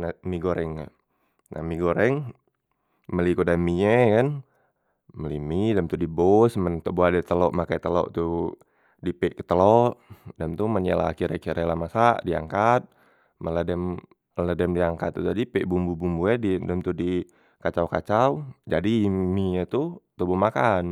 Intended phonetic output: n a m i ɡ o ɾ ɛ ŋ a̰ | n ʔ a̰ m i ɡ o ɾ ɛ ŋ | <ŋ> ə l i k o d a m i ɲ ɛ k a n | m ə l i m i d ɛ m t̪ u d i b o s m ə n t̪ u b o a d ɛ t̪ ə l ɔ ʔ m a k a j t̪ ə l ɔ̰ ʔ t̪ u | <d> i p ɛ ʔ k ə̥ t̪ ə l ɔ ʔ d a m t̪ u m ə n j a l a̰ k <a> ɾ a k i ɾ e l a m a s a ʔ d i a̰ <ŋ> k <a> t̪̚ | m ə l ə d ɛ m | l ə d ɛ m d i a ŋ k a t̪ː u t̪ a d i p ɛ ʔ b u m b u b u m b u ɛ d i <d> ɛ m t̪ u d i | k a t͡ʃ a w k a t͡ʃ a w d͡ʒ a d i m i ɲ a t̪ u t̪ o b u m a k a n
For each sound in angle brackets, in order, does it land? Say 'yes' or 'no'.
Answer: no, yes, no, yes, yes, yes

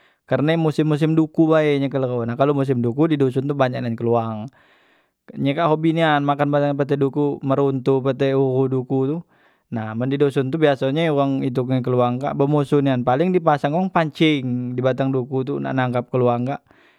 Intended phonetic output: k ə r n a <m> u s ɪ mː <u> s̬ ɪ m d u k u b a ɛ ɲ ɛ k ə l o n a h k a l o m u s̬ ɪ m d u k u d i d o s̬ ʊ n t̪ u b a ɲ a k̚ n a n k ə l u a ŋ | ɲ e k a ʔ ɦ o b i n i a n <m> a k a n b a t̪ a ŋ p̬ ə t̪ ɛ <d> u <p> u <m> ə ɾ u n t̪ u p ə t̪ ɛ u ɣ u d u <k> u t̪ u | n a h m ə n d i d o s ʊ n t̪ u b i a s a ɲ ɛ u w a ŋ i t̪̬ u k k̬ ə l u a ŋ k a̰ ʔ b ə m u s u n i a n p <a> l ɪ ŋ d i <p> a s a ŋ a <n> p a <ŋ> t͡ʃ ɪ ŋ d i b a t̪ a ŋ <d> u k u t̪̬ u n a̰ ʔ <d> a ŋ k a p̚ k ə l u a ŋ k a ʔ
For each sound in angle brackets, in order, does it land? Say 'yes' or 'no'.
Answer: yes, yes, yes, yes, no, yes, yes, yes, yes, no, no, yes, no

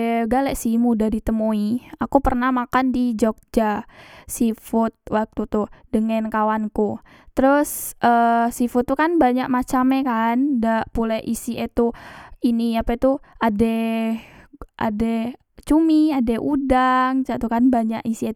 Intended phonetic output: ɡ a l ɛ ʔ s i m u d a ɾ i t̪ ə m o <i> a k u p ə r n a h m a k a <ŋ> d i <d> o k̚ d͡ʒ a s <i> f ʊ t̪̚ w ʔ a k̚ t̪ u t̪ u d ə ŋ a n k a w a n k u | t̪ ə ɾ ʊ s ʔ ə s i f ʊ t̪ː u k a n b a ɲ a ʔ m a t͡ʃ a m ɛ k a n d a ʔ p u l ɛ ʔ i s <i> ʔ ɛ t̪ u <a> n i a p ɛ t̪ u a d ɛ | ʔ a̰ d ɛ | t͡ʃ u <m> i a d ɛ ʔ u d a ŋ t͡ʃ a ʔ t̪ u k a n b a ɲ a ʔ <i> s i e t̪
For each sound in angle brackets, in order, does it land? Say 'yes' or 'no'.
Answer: yes, no, no, yes, yes, no, yes, yes

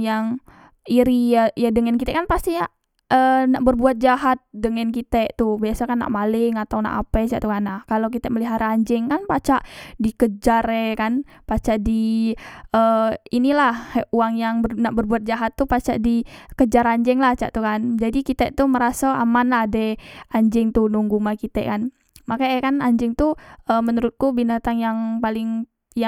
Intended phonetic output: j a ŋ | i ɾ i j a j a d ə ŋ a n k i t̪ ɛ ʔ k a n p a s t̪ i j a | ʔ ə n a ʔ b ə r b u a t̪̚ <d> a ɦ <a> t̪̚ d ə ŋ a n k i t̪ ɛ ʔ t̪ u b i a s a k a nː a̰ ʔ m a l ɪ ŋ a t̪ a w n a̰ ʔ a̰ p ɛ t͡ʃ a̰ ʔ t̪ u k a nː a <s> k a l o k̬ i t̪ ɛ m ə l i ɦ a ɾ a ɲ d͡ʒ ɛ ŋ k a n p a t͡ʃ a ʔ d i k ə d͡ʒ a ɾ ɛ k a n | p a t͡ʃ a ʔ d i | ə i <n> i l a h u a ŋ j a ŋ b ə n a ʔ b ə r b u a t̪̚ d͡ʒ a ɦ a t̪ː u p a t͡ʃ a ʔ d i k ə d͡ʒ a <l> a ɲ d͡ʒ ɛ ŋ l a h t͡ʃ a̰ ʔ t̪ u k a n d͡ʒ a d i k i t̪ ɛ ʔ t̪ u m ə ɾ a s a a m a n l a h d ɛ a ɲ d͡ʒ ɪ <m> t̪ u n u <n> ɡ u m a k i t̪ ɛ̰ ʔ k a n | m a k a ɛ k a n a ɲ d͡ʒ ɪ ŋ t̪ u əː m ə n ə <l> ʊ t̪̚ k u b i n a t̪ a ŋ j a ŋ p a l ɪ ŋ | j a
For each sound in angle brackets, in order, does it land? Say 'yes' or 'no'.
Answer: no, yes, no, yes, no, no, no, no

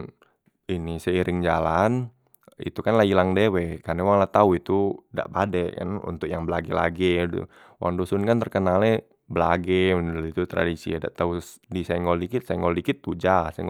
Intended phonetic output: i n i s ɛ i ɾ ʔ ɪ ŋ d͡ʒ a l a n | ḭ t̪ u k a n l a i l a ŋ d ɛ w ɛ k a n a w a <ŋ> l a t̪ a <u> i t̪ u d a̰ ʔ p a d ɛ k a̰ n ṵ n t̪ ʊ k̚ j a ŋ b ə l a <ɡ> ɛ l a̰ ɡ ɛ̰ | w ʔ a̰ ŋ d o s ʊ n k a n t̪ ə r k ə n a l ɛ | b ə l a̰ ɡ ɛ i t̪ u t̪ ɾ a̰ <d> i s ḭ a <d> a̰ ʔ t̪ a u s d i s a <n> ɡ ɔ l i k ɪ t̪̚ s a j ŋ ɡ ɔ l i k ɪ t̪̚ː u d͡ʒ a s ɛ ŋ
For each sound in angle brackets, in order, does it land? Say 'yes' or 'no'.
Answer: yes, yes, yes, yes, yes, no

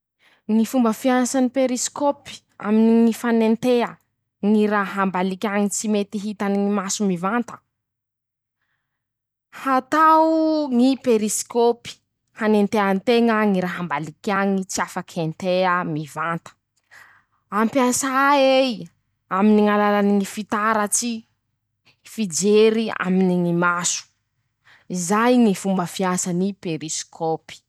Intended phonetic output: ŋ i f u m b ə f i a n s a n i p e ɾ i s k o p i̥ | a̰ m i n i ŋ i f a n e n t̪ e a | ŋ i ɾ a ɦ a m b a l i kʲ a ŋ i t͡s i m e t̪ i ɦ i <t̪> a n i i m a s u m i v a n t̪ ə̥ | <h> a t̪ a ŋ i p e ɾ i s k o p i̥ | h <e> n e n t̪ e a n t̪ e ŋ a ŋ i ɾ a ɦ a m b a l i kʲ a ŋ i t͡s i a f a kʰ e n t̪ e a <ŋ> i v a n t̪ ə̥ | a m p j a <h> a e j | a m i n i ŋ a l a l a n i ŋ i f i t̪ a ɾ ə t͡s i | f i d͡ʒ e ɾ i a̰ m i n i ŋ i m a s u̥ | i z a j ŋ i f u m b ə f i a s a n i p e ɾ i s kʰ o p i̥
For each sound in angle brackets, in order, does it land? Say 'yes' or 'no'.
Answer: yes, yes, no, no, no

